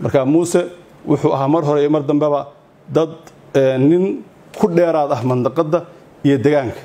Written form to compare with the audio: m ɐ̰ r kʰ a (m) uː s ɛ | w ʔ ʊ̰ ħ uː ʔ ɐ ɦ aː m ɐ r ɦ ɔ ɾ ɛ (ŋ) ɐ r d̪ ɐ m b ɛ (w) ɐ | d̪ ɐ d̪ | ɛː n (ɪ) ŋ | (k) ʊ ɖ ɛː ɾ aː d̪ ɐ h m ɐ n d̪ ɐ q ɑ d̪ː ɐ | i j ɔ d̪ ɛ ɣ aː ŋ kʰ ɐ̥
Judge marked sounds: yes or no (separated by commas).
yes, no, no, yes, no